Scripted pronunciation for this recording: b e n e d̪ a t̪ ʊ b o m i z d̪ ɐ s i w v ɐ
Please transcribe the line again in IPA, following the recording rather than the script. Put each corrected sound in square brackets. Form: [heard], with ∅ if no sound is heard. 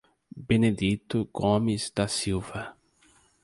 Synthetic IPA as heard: b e n e d̪ [i] t̪ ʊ [ɡ] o m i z d̪ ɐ s i w v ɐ